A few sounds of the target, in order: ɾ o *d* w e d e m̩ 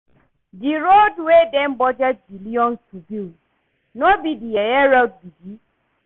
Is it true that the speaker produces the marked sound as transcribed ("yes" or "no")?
yes